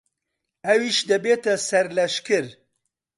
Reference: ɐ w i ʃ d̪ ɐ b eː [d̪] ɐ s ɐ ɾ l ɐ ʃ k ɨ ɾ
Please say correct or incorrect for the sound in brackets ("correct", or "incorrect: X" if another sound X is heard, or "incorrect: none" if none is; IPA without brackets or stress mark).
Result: incorrect: t̪